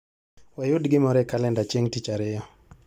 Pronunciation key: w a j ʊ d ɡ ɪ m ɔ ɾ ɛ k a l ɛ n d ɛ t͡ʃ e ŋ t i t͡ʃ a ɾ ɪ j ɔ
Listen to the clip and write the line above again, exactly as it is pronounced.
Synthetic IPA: w a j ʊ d ɡ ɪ m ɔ ɾ ɛ k a l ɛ n d a t͡ʃ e ŋ t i t͡ʃ a ɾ ɪ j ɔ

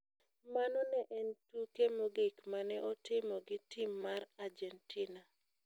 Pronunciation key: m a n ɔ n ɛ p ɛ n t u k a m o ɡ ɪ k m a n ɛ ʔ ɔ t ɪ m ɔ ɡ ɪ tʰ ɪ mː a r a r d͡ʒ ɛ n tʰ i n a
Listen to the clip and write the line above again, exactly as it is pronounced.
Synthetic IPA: m a n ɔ n ɛ ʔ ɛ n t u k e m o ɡ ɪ k m a n ɛ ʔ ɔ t ɪ m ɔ ɡ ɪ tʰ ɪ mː a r a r d͡ʒ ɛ n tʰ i n a

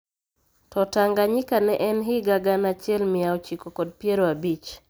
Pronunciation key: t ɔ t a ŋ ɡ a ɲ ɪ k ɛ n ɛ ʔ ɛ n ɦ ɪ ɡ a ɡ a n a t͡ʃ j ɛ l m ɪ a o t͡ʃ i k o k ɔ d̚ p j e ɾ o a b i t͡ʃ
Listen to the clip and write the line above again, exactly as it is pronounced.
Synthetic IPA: t ɔ t a ŋ ɡ a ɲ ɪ k a n ɛ ʔ ɛ n ɦ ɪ ɡ a ɡ a n a t͡ʃ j ɛ l m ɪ a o t͡ʃ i k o k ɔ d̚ p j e ɾ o a b i t͡ʃ

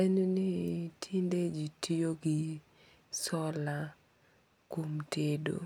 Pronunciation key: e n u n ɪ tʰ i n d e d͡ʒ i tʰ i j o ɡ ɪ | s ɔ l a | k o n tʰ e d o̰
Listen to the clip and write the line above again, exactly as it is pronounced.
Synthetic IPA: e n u n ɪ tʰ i n d e d͡ʒ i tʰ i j o ɡ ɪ | s ɔ l a | k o m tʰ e d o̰

